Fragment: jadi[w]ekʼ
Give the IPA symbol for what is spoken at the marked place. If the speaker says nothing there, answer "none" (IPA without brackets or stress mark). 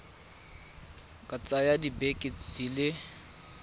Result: b